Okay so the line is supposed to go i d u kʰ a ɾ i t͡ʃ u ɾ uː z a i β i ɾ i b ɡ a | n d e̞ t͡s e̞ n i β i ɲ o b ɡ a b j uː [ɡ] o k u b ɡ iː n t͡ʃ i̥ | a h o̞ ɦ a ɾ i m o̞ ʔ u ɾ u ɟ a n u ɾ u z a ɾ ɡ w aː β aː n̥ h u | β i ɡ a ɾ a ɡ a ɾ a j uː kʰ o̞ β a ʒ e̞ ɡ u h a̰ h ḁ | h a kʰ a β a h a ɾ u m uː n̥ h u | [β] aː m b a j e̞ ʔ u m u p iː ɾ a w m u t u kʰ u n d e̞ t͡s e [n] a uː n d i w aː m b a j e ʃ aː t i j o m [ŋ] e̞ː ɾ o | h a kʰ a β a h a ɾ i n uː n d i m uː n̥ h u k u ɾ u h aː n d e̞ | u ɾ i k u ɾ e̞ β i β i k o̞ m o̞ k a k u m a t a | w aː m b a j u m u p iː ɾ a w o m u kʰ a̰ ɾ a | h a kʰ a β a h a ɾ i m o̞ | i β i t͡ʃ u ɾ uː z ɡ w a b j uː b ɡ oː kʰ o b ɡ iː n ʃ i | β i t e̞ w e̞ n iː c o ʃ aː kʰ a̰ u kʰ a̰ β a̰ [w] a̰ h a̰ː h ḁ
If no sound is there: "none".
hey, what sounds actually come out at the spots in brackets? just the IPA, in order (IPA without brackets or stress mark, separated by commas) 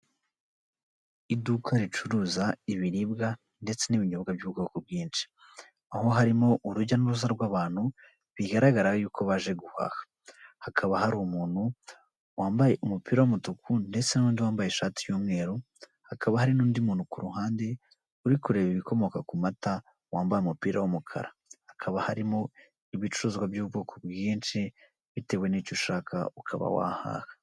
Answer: ɡ, w, n, ŋ, w